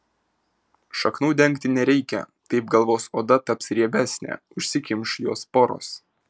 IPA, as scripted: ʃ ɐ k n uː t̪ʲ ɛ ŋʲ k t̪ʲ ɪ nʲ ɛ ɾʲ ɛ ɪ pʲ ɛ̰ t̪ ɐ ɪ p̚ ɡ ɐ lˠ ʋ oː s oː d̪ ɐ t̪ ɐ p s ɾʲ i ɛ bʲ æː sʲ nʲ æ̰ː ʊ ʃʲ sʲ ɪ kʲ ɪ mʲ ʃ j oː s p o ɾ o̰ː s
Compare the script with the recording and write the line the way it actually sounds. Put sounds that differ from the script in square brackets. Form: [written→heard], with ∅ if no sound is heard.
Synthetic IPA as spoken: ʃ ɐ k n uː [t̪ʲ→d̪ʲ] ɛ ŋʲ k t̪ʲ ɪ nʲ ɛ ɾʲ ɛ ɪ [pʲ→kʲ] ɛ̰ t̪ ɐ ɪ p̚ ɡ ɐ lˠ ʋ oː s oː d̪ ɐ t̪ ɐ p s ɾʲ i ɛ bʲ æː sʲ nʲ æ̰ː ʊ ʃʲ sʲ ɪ kʲ ɪ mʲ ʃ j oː s p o ɾ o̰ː s